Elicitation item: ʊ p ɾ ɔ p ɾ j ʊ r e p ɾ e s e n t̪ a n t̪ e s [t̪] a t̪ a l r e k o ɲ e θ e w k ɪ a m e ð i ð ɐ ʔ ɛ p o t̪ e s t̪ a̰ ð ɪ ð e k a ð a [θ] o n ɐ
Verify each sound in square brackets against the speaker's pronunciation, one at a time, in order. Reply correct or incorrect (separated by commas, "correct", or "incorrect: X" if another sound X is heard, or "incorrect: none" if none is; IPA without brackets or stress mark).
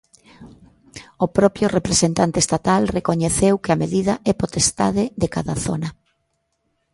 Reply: correct, correct